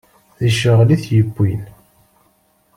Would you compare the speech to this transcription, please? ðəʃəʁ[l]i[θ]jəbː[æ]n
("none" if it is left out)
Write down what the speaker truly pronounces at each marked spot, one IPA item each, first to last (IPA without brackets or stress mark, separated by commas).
l, θ, i